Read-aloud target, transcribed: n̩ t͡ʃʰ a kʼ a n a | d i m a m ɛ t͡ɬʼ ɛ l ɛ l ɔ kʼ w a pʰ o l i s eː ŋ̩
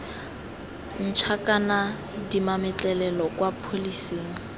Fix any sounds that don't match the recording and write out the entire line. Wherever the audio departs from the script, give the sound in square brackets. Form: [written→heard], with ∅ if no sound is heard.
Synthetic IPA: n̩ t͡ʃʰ a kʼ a n a | d i m a m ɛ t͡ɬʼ ɛ l ɛ l ɔ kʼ w a pʰ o l i s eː ŋ̩